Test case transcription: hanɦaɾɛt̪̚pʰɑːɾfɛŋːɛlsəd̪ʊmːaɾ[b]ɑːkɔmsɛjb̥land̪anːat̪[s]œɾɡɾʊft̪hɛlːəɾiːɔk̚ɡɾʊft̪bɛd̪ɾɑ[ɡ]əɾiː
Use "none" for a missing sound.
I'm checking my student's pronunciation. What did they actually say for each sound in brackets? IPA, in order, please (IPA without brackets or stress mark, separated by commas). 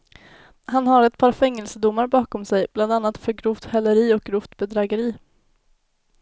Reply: b, f, ɡ